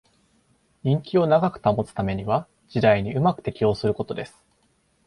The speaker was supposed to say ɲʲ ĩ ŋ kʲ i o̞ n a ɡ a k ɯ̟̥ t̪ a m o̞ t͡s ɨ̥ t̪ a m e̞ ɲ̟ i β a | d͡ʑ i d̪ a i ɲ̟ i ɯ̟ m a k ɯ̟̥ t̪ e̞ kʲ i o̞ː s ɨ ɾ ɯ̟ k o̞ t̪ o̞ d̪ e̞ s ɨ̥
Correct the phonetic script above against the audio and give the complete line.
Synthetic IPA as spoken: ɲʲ ĩ ŋ kʲ i o̞ n a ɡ a k ɯ̟̥ t̪ a m o̞ t͡s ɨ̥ t̪ a m e̞ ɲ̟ i β a | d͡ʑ i d̪ a i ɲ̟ i ɯ̟ m a k ɯ̟̥ t̪ e̞ kʲ i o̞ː s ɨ ɾ ɯ̟ k o̞ t̪ o̞ d̪ e̞ s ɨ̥